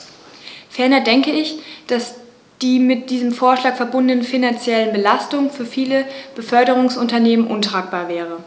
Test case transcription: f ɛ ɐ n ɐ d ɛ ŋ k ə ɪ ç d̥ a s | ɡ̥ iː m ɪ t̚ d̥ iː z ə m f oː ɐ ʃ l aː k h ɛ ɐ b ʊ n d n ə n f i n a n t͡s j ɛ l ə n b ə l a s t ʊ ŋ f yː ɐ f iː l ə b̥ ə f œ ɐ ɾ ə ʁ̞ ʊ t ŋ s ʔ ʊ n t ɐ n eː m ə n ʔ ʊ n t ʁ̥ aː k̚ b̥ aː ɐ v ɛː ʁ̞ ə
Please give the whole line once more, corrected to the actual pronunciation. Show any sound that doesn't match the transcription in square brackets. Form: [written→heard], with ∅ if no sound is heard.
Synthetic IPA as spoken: f ɛ ɐ n ɐ d ɛ ŋ k ə ɪ ç d̥ a s | [ɡ̥→d̥] iː m ɪ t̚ d̥ iː z ə m f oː ɐ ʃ l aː k [h→f] ɛ ɐ b ʊ n d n ə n f i n a n t͡s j ɛ l ə n b ə l a s t ʊ ŋ f yː ɐ f iː l ə b̥ ə f œ ɐ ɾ ə ʁ̞ ʊ [t→∅] ŋ s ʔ ʊ n t ɐ n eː m ə n ʔ ʊ n t ʁ̥ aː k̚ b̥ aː ɐ v ɛː ʁ̞ ə

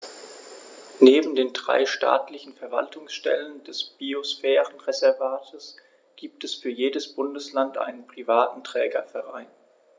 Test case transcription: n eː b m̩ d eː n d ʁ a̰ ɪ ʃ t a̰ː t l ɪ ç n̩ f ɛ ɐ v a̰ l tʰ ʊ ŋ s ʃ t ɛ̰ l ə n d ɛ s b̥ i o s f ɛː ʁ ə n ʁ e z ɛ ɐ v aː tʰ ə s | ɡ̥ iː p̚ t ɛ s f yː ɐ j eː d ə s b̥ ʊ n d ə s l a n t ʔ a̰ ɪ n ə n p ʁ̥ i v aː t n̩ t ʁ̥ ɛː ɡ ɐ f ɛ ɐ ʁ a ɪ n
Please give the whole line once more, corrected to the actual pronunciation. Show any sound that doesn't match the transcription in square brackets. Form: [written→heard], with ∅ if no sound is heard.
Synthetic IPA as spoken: n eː b m̩ d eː n d ʁ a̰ ɪ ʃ t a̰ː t l ɪ ç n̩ f ɛ ɐ v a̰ l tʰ ʊ ŋ s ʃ t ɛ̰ l ə n d ɛ s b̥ i o s f ɛː ʁ ə n ʁ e z ɛ ɐ v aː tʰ ə s | ɡ̥ iː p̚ t ɛ s f yː ɐ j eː d ə s b̥ ʊ n d ə s l a n t ʔ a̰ ɪ n ə n p ʁ̥ i v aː t n̩ t ʁ̥ ɛː ɡ ɐ f ɛ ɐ ʁ a ɪ n

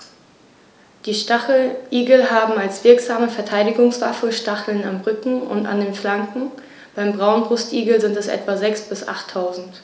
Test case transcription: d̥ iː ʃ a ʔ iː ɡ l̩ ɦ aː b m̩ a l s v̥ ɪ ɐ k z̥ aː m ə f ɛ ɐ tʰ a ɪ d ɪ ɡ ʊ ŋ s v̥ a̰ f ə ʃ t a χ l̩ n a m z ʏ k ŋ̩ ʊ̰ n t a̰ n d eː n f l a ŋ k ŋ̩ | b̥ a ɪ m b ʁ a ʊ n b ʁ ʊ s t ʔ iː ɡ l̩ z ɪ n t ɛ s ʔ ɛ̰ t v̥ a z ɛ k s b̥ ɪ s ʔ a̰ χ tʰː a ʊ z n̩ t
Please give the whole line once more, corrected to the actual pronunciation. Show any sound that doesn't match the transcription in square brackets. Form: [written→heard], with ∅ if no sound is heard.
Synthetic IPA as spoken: d̥ iː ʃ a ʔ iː ɡ l̩ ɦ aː b m̩ a l s v̥ ɪ ɐ k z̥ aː m ə f ɛ ɐ tʰ a ɪ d ɪ ɡ ʊ ŋ s v̥ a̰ f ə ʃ t a χ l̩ n a m [z→ʁ] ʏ k ŋ̩ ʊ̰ n t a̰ n d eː n f l a ŋ k ŋ̩ | b̥ a ɪ m b ʁ a ʊ n b ʁ ʊ s t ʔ iː ɡ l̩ z ɪ n t ɛ s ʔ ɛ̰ t v̥ a z ɛ k s b̥ ɪ s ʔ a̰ χ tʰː a ʊ z n̩ t

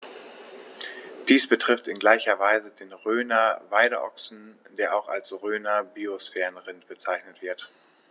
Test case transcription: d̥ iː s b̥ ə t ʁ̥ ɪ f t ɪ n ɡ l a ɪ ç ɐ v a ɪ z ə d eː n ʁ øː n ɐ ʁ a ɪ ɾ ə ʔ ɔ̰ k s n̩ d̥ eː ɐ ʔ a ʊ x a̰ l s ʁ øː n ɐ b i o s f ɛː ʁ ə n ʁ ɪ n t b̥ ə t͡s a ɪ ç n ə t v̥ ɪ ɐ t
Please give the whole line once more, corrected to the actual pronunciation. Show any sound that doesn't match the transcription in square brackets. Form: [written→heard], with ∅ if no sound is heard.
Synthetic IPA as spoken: d̥ iː s b̥ ə t ʁ̥ ɪ f t ɪ n ɡ l a ɪ ç ɐ v a ɪ z ə d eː n ʁ øː n ɐ [ʁ→v] a ɪ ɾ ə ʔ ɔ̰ k s n̩ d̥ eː ɐ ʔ a ʊ x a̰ l s ʁ øː n ɐ b i o s f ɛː ʁ ə n ʁ ɪ n t b̥ ə t͡s a ɪ ç n ə t v̥ ɪ ɐ t

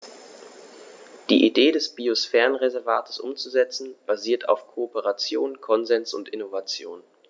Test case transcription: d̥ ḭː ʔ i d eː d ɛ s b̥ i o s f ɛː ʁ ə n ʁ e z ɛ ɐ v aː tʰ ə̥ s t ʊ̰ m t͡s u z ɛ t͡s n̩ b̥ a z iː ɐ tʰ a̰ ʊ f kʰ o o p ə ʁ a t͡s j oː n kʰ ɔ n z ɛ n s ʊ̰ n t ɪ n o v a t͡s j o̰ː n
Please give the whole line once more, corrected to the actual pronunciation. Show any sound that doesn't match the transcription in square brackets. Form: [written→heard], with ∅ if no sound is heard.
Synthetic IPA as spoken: d̥ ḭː ʔ i d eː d ɛ s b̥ i o s f ɛː ʁ ə n ʁ e z ɛ ɐ v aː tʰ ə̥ s [t→ʔ] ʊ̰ m t͡s u z ɛ t͡s n̩ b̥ a z iː ɐ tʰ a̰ ʊ f kʰ o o p ə ʁ a t͡s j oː n kʰ ɔ n z ɛ n s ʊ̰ n t ɪ n o v a t͡s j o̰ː n

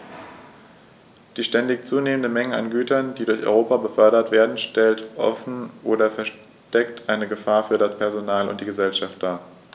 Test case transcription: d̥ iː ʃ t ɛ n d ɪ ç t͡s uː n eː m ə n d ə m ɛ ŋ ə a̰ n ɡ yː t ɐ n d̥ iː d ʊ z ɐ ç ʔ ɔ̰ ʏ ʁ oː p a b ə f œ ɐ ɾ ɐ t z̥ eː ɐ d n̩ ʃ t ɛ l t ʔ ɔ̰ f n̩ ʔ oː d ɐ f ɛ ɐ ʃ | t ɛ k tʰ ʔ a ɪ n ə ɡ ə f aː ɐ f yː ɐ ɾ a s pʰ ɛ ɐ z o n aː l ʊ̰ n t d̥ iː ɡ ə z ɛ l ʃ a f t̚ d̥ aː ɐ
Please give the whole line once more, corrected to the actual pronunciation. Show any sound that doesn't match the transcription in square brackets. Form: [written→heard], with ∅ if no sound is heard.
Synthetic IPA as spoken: d̥ iː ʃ t ɛ n d ɪ ç t͡s uː n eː m ə n d ə m ɛ ŋ ə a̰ n ɡ yː t ɐ n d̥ iː d ʊ [z→∅] ɐ ç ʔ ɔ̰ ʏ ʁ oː p a b ə f œ ɐ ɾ ɐ t [z̥→v̥] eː ɐ d n̩ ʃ t ɛ l t ʔ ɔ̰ f n̩ ʔ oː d ɐ f ɛ ɐ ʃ | t ɛ k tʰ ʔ a ɪ n ə ɡ ə f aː ɐ f yː ɐ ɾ a s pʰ ɛ ɐ z o n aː l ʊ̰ n t d̥ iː ɡ ə z ɛ l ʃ a f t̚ d̥ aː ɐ

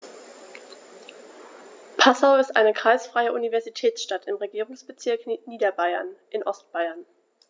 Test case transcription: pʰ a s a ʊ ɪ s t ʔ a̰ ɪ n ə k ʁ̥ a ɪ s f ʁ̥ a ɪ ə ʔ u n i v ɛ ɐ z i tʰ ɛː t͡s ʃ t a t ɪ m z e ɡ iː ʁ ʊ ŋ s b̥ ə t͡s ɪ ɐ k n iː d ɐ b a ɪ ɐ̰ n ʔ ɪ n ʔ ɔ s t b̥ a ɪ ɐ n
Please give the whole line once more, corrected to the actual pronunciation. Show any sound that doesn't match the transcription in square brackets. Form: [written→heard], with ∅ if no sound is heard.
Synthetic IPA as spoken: pʰ a s a ʊ ɪ s t ʔ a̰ ɪ n ə k ʁ̥ a ɪ s f ʁ̥ a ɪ ə ʔ u n i v ɛ ɐ z i tʰ ɛː t͡s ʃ t a t ɪ m [z→ʁ] e ɡ iː ʁ ʊ ŋ s b̥ ə t͡s ɪ ɐ k n iː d ɐ b a ɪ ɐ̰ n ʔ ɪ n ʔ ɔ s t b̥ a ɪ ɐ n

